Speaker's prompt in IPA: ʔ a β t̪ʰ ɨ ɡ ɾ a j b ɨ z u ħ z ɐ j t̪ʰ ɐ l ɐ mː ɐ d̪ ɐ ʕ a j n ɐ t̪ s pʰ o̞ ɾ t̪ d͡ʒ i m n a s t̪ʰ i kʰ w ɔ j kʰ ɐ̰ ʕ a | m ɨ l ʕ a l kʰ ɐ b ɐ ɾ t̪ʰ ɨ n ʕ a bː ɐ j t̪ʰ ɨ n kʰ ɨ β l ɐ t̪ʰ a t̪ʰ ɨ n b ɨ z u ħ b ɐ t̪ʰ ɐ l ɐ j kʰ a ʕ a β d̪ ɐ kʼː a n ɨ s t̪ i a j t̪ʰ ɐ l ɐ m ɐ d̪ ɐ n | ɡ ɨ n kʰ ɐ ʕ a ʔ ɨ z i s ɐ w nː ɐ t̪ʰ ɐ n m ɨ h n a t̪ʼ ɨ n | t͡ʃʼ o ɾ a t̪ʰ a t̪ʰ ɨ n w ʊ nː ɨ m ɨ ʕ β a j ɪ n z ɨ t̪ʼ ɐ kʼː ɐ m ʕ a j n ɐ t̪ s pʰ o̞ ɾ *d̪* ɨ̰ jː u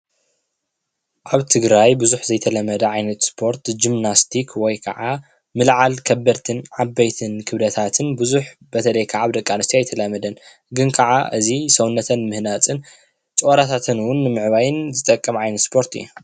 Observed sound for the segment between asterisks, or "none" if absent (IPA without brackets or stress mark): t̪